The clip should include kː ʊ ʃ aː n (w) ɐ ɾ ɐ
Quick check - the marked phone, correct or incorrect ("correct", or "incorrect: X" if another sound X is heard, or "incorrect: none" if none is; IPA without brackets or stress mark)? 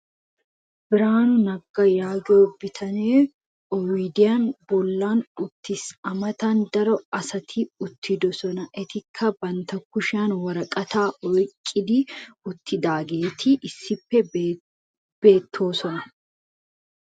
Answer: correct